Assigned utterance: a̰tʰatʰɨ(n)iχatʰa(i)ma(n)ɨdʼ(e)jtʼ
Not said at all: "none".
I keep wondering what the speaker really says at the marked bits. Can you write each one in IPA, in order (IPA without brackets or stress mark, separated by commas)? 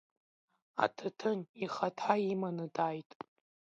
n, i, n, a